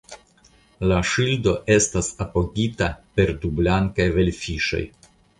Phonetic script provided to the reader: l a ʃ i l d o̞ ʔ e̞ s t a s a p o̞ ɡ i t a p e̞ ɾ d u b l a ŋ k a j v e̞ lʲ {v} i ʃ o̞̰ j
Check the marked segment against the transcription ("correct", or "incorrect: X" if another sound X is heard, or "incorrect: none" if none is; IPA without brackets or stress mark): incorrect: f